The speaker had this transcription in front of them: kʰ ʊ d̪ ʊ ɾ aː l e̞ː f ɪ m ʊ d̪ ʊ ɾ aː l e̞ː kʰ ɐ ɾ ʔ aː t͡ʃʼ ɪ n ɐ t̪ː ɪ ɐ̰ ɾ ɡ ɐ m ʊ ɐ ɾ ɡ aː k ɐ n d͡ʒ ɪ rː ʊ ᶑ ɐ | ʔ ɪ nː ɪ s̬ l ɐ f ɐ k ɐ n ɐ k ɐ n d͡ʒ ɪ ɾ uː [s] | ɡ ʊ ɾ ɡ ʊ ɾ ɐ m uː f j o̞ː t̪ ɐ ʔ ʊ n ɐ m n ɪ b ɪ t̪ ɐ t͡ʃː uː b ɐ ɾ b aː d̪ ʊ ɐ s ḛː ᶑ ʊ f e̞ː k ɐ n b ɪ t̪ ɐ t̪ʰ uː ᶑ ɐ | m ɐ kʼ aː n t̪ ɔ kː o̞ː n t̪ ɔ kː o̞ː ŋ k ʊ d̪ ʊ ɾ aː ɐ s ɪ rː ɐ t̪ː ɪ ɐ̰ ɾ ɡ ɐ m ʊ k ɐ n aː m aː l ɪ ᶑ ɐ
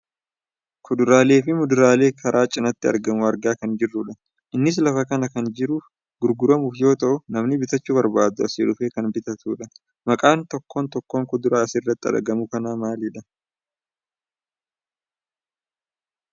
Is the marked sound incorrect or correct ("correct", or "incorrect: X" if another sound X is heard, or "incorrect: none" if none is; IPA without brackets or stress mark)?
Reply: incorrect: f